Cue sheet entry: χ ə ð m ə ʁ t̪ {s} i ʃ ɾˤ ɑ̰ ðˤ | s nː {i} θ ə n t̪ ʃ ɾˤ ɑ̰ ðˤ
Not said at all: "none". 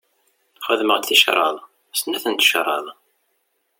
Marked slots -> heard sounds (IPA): θ, æ

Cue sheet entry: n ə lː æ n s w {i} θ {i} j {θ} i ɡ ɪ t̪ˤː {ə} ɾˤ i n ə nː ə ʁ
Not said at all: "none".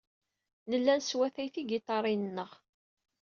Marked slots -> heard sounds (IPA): æ, æ, θ, ɑ

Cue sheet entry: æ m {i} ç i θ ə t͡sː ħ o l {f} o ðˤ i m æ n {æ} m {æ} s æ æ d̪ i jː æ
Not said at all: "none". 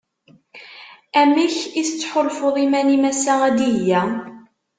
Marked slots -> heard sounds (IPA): i, f, i, æ

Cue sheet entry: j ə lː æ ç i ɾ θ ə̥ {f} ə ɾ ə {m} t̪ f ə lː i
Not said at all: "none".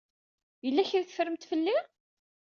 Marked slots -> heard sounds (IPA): f, m

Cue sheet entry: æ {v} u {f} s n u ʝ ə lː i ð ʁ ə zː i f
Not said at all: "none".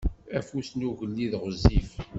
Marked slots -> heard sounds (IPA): f, none

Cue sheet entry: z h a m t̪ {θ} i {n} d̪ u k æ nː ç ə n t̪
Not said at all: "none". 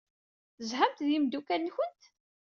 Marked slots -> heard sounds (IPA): ð, m

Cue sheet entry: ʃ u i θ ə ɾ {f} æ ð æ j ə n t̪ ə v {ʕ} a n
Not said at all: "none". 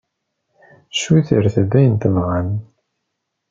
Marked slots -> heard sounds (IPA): θ, ʁ

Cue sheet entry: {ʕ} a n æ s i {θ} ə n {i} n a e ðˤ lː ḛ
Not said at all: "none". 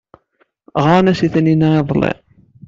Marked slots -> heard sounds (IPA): ʁ, θ, i

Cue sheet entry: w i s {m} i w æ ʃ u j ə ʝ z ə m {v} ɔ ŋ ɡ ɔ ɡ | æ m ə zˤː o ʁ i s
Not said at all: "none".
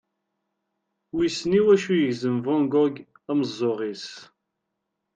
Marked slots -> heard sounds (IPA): n, v

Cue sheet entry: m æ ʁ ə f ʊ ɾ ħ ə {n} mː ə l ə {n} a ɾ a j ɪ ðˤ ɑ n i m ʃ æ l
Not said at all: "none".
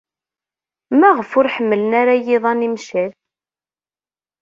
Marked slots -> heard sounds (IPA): none, n

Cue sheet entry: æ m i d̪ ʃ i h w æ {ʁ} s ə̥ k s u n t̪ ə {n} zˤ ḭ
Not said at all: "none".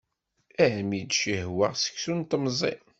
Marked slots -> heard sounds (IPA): ʁ, m

